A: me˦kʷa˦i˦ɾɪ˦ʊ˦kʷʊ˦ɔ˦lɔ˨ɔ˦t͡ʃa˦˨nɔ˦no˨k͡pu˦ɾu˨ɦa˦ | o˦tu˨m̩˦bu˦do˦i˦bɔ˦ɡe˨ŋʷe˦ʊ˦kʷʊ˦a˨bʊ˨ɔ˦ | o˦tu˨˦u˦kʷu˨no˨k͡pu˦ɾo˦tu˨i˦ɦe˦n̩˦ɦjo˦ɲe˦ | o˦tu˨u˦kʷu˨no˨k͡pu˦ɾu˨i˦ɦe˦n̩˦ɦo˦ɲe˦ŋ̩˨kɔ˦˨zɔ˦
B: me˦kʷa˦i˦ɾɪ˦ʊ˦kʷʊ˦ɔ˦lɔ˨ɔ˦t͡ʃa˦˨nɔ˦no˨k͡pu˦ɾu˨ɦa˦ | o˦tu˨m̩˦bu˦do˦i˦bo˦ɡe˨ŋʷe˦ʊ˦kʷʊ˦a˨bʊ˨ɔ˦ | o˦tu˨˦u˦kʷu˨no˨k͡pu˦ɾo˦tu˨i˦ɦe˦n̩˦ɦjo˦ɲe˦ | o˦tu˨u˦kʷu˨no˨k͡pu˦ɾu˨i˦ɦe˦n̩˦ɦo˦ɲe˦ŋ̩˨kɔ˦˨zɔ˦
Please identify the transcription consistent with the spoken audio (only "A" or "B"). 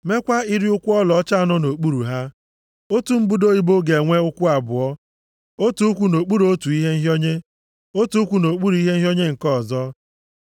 B